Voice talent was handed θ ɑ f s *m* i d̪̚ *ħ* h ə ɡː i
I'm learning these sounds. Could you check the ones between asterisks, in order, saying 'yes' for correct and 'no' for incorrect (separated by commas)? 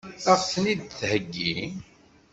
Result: no, no